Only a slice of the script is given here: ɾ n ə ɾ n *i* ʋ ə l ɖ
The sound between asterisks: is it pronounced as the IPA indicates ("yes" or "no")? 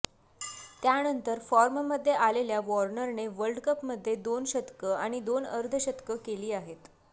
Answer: no